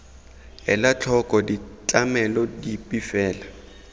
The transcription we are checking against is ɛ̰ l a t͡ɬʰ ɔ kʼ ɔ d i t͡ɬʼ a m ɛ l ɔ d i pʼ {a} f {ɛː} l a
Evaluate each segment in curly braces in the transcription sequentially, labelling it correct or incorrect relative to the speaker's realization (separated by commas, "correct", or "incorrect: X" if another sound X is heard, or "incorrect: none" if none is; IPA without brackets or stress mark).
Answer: incorrect: i, correct